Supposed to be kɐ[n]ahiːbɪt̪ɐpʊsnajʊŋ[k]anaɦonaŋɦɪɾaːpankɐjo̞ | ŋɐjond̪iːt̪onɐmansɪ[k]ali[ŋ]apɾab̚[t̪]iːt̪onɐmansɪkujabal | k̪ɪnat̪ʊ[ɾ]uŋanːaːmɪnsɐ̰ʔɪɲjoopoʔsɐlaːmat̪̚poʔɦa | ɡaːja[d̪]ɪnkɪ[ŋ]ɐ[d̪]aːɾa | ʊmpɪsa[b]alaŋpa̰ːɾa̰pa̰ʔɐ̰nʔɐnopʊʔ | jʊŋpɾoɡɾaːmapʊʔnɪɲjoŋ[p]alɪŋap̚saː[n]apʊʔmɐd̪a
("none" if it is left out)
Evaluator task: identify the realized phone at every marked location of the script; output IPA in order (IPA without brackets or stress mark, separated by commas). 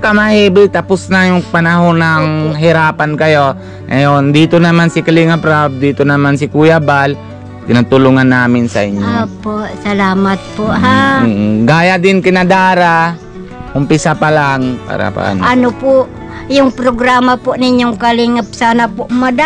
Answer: m, p, k, ŋ, d̪, l, d̪, n, d̪, p, k, n